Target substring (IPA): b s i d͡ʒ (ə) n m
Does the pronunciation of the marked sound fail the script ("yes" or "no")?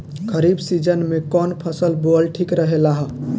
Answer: no